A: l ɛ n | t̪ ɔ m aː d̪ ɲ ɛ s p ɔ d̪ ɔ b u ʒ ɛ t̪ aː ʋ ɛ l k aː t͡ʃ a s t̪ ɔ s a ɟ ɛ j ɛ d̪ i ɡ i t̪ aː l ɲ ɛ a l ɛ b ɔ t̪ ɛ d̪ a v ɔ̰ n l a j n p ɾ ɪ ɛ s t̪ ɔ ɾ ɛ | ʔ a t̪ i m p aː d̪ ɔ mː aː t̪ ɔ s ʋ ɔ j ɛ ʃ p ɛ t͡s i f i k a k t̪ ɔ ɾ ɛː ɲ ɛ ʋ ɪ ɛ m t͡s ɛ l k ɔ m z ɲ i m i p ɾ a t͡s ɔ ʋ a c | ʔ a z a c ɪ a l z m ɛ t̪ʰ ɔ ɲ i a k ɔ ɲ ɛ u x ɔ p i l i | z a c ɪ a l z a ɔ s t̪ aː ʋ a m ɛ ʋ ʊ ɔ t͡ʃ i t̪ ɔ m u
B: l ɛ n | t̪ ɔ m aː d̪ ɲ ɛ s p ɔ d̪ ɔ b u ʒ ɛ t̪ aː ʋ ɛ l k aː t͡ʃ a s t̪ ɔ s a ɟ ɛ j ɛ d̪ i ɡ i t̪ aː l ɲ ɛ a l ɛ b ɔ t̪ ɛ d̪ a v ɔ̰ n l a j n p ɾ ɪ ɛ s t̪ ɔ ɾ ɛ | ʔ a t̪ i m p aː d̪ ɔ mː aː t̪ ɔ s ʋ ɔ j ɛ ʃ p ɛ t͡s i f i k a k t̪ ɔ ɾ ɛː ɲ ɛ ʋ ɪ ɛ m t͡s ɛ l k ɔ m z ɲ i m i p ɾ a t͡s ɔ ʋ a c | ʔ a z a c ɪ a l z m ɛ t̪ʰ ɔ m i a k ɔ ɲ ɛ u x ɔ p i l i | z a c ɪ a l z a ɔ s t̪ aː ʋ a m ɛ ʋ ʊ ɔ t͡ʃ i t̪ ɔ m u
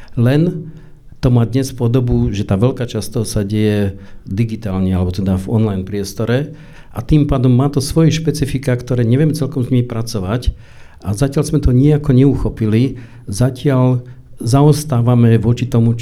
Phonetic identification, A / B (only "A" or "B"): A